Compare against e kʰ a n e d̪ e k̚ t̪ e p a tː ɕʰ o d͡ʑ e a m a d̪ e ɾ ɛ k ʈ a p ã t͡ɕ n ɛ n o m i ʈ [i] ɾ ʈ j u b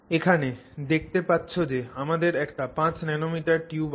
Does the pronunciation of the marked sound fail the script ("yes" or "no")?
yes